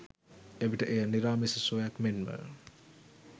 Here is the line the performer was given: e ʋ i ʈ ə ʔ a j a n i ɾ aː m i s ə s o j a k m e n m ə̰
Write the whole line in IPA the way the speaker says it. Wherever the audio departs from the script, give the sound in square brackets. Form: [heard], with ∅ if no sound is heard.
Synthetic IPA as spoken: e ʋ i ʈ ə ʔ [e] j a n i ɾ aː m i s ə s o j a k m e n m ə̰